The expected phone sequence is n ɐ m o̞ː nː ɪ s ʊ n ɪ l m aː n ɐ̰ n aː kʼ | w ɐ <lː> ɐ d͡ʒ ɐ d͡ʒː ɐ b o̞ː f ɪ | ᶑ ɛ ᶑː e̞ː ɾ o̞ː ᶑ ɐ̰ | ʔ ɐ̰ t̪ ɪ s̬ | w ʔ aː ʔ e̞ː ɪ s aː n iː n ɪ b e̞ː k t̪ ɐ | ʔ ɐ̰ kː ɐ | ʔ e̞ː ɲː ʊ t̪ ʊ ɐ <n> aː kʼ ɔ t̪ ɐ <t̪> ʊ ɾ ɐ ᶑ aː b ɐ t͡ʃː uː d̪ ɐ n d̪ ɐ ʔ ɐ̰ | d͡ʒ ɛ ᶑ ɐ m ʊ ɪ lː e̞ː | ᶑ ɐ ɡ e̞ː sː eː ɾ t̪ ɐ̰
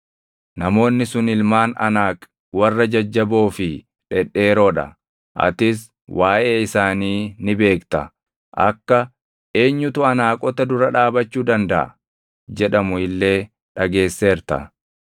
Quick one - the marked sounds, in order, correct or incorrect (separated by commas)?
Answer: incorrect, correct, incorrect